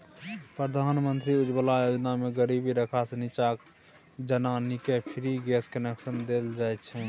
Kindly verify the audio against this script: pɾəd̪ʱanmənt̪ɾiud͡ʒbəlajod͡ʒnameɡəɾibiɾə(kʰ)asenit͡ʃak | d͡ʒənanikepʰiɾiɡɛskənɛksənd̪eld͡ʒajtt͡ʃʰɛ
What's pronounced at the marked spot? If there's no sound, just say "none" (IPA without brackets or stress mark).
kʰ